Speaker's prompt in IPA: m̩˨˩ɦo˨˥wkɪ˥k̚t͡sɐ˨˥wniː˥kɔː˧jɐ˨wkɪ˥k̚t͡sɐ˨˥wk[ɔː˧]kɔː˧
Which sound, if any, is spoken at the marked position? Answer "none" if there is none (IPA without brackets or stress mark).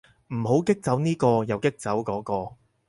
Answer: ɔː˨˥